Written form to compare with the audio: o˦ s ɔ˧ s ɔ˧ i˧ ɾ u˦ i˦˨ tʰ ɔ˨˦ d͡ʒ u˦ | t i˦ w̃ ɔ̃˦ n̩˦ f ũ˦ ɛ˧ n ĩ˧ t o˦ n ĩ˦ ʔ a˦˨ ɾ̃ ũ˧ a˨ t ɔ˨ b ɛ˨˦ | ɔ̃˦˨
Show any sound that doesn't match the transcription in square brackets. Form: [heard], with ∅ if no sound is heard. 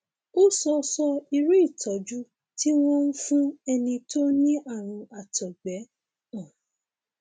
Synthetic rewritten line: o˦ s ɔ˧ s ɔ˧ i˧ ɾ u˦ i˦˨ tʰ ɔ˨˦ d͡ʒ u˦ | t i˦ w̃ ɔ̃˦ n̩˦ f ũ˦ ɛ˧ n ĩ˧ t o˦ n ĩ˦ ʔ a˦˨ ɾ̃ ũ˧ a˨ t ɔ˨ [ɡ͡b] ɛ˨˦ | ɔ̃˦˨